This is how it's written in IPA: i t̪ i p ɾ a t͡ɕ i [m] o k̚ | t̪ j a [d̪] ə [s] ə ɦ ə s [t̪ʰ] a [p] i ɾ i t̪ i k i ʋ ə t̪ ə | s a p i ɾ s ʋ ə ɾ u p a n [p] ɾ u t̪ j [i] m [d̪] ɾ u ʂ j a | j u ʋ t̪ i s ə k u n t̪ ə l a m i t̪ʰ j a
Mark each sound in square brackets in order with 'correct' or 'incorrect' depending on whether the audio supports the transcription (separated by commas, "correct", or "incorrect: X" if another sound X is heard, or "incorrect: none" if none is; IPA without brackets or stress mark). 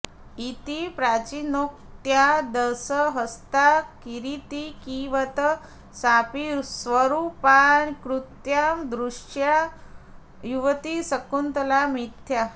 incorrect: n, correct, correct, incorrect: t̪, incorrect: k, incorrect: k, incorrect: a, correct